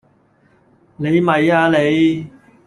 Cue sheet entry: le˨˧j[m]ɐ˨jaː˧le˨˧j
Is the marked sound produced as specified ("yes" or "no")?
yes